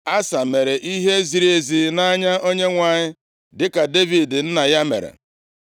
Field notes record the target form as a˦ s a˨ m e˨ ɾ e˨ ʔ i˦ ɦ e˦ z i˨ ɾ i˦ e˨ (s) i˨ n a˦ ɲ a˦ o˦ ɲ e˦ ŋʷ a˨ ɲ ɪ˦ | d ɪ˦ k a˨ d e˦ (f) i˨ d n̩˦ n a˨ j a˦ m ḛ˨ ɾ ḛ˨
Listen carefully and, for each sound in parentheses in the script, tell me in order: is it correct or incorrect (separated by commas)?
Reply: incorrect, incorrect